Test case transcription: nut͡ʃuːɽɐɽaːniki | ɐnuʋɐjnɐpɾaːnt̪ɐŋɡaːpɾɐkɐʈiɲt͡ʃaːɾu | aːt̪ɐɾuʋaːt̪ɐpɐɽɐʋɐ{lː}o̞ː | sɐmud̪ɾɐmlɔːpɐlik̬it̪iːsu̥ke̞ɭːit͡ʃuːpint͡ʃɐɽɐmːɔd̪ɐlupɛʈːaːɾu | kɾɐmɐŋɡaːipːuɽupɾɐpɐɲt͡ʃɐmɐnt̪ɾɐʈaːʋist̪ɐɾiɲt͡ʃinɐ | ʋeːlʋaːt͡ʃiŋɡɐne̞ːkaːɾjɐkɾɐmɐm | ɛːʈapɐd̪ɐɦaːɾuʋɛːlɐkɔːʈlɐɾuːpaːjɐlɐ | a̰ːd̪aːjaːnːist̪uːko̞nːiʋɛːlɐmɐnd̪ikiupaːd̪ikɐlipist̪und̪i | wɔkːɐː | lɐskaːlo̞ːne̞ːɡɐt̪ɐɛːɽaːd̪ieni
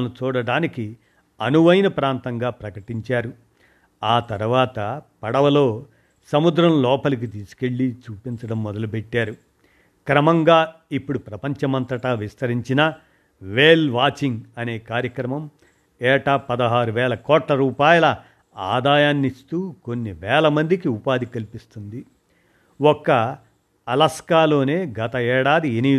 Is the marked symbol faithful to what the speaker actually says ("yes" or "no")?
no